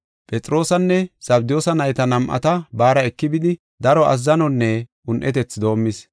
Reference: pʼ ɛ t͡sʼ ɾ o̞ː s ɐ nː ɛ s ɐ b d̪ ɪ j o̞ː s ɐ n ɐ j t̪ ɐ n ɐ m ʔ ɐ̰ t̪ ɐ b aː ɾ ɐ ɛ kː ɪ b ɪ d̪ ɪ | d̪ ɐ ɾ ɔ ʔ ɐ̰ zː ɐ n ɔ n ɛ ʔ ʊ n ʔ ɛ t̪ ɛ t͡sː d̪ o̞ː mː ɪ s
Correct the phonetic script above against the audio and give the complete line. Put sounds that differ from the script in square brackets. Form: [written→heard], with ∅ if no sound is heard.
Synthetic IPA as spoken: pʼ ɛ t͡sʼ ɾ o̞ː s ɐ nː ɛ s ɐ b d̪ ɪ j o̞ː s ɐ n ɐ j t̪ ɐ n ɐ m ʔ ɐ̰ t̪ ɐ b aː ɾ ɐ ɛ kː ɪ b ɪ d̪ ɪ | d̪ ɐ ɾ ɔ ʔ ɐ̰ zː ɐ n ɔ [n→nː] ɛ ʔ ʊ n ʔ ɛ t̪ ɛ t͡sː d̪ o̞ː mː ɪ s